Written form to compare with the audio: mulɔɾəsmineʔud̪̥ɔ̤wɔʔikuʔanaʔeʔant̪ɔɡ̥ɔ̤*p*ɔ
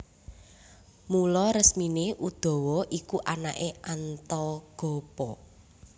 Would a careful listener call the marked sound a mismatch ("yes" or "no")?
no